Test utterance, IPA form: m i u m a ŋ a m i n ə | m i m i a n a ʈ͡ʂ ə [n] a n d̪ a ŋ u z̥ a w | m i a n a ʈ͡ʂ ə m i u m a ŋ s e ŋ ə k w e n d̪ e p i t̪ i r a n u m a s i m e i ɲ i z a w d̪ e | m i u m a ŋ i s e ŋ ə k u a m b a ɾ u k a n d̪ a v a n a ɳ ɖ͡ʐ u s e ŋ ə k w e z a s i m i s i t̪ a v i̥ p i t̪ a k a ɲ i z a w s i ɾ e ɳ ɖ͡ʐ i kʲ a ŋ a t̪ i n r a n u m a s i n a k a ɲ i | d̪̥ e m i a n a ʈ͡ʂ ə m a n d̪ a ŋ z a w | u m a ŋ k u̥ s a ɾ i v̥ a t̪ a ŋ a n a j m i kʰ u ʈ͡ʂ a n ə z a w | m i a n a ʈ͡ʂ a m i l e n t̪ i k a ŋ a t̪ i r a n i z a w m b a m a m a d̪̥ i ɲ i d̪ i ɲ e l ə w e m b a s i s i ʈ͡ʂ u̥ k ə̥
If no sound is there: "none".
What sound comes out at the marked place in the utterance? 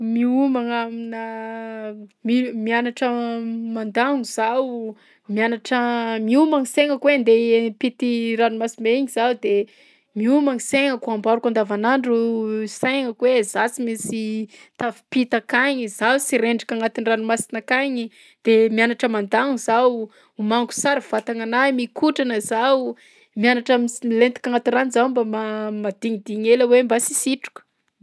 m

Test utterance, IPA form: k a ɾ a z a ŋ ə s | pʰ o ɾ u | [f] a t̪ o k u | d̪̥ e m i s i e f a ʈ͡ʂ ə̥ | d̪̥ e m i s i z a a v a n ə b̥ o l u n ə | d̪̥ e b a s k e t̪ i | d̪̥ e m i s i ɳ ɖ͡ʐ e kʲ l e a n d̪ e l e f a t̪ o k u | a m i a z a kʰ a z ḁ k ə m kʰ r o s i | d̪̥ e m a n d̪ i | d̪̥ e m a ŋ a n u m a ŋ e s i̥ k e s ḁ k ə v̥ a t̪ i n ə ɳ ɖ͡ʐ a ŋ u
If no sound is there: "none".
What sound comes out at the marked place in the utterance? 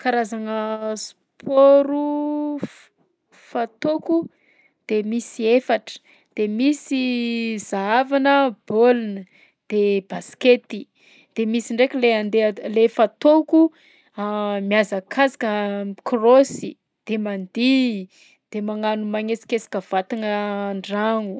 f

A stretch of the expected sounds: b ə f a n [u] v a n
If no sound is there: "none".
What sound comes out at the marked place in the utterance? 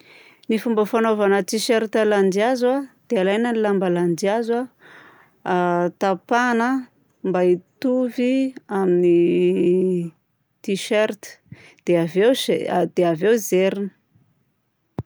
o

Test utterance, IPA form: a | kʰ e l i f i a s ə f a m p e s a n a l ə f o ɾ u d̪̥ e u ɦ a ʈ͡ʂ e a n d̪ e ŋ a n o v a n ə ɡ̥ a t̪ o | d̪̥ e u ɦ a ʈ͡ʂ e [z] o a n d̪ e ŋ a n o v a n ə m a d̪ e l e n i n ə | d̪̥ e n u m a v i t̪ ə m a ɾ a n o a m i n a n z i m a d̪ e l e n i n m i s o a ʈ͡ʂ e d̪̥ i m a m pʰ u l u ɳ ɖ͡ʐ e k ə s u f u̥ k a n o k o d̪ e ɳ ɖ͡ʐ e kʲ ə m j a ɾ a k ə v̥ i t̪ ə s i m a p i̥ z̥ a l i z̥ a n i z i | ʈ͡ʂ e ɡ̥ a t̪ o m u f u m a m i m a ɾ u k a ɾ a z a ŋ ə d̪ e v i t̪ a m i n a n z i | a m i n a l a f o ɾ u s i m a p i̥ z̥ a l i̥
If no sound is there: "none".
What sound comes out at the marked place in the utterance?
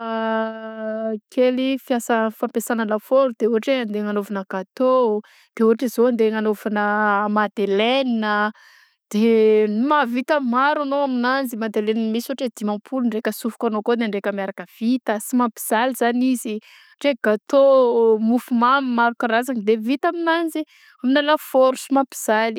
z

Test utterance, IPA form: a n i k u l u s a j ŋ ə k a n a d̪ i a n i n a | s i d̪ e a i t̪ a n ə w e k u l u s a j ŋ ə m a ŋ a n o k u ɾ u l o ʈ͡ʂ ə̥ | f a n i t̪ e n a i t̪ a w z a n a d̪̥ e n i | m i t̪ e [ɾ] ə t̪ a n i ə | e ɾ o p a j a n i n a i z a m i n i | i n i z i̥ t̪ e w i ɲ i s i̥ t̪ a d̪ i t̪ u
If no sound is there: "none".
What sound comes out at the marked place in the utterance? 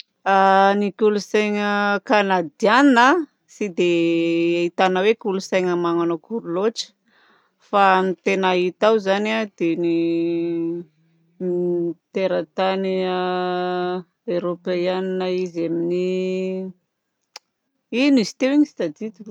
ɾ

